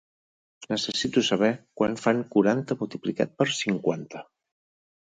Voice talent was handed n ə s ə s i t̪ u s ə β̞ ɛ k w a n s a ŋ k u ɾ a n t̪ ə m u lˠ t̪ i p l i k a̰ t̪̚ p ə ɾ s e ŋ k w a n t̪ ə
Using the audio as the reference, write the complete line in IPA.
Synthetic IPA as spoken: n ə s ə s i t̪ u s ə β̞ ɛ k w a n f a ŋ k u ɾ a n t̪ ə m u lˠ t̪ i p l i k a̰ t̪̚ p ə ɾ s i ŋ k w a n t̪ ə